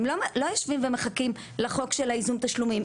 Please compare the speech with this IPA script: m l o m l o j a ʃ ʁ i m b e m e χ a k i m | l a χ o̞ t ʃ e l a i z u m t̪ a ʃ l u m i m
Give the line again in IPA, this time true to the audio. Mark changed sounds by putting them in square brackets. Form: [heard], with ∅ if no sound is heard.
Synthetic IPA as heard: m l o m l o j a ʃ [v] i m [v] e m e χ a k i m | l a χ o̞ [k] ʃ e l a i z u m t̪ a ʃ l u m i m